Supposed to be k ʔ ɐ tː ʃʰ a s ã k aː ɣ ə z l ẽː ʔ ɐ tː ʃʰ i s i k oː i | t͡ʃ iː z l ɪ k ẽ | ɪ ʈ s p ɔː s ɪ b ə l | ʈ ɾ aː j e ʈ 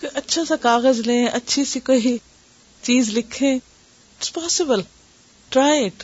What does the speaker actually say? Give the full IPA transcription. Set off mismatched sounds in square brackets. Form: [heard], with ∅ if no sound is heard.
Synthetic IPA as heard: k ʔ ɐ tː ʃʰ a s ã k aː ɣ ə z l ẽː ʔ ɐ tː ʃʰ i s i k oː i | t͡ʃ iː z l ɪ [kʰ] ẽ | ɪ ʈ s p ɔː s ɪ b ə l | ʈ ɾ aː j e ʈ